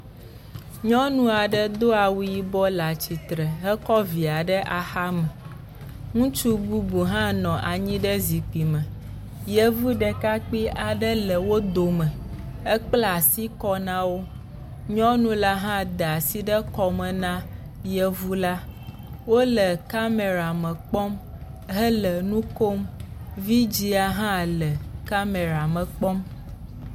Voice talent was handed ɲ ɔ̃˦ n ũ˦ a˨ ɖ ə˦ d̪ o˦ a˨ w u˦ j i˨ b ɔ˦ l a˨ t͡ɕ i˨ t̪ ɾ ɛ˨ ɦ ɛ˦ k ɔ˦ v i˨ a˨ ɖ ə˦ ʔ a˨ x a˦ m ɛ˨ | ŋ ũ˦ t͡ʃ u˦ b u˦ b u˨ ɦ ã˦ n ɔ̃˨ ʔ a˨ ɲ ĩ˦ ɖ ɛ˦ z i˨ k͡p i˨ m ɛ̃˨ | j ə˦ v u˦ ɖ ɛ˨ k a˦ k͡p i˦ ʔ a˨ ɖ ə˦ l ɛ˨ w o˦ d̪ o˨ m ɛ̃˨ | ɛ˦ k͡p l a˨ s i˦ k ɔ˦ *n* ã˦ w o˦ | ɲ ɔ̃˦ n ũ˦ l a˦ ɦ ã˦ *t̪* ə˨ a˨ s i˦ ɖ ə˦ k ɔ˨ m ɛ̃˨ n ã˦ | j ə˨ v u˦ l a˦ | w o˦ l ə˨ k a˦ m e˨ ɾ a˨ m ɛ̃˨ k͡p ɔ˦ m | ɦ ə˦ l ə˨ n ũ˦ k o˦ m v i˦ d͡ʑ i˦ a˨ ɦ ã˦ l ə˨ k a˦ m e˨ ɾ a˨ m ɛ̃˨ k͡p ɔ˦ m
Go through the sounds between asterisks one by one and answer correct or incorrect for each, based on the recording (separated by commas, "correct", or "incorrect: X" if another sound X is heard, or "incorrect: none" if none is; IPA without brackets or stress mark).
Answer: correct, incorrect: d̪